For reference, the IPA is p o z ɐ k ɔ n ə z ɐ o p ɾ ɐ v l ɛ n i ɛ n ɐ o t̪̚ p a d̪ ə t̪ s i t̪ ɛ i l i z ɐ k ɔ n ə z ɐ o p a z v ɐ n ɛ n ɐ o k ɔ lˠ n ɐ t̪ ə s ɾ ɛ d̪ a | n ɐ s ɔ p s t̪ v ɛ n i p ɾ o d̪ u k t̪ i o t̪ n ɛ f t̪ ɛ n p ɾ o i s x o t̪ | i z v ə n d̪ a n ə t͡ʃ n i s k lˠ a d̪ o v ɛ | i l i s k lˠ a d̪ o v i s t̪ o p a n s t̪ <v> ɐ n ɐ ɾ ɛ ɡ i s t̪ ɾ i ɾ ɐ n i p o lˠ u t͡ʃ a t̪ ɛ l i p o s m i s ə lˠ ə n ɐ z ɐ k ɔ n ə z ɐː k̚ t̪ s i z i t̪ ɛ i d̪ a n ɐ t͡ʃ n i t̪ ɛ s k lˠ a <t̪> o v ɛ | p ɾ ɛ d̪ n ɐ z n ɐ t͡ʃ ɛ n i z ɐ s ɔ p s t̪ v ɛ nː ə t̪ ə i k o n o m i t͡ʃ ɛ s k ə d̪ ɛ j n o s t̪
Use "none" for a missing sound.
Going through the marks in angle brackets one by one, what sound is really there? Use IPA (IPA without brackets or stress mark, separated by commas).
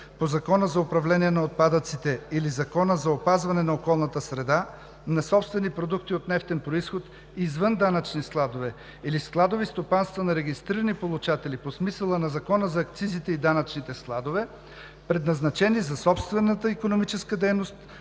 v, d̪